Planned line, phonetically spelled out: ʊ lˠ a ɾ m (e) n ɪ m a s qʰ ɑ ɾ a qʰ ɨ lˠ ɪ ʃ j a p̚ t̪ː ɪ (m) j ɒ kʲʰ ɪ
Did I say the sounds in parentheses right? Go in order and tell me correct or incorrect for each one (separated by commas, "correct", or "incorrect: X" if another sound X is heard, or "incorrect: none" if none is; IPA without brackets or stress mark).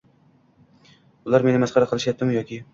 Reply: correct, correct